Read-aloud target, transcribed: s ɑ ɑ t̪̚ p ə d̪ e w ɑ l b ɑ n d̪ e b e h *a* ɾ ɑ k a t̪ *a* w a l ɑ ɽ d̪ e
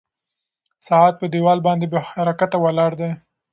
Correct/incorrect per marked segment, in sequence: correct, correct

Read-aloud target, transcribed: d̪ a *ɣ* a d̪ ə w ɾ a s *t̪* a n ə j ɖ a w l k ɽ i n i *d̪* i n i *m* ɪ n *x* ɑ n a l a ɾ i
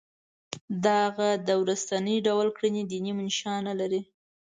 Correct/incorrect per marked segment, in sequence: correct, correct, correct, correct, incorrect

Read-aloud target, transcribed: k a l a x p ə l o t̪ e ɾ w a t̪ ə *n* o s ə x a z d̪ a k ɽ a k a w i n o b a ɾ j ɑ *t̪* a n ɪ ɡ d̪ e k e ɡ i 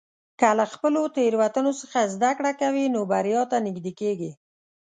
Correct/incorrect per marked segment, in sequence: correct, correct

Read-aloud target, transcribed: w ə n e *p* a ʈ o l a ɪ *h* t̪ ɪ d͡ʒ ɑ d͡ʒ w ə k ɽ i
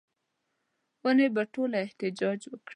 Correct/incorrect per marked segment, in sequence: incorrect, correct

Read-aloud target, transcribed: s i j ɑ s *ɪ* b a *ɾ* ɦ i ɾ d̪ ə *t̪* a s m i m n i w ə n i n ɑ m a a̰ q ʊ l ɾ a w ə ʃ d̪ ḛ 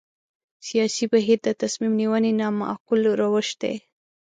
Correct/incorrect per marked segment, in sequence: incorrect, incorrect, correct

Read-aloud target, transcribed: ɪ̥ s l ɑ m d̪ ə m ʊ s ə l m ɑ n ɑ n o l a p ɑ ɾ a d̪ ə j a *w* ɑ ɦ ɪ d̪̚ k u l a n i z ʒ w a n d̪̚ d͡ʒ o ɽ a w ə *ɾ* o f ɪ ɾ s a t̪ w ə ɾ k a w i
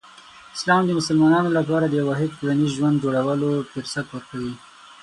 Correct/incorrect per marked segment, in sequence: correct, incorrect

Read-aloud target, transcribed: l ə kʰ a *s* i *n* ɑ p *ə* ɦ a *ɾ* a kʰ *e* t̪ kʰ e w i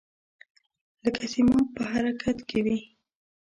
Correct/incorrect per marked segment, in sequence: correct, incorrect, correct, correct, incorrect

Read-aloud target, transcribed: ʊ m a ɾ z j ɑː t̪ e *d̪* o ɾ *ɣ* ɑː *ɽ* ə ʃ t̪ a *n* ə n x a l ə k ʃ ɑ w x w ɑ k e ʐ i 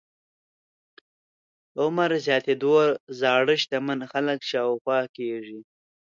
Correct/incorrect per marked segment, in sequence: correct, incorrect, correct, incorrect

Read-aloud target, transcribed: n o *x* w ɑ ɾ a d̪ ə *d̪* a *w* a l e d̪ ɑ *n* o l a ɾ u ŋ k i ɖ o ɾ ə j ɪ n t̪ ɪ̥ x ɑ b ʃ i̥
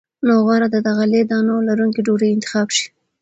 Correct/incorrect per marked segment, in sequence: incorrect, correct, incorrect, correct

